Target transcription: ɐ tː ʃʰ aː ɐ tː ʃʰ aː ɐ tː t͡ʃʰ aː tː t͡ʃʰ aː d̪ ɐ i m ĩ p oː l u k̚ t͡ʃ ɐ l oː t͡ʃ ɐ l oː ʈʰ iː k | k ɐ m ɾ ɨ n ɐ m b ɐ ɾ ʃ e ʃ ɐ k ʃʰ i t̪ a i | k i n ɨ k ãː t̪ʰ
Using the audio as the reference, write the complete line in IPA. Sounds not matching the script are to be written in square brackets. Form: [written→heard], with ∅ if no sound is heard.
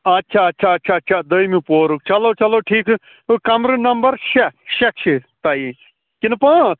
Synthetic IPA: ɐ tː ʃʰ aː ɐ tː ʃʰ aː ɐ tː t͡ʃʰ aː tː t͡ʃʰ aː d̪ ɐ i m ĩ p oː [l→ɾ] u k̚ t͡ʃ ɐ l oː t͡ʃ ɐ l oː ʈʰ iː k | k ɐ m ɾ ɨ n ɐ m b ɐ ɾ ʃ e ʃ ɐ k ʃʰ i t̪ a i | k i n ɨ [k→p] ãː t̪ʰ